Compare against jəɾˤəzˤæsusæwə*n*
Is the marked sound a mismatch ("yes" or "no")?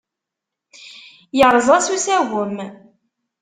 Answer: yes